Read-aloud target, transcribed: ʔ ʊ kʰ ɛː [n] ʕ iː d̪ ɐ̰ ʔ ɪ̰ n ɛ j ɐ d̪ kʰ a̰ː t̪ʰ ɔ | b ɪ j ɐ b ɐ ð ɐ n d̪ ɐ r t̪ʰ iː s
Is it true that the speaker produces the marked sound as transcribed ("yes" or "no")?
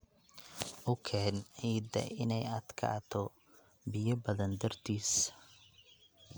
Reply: yes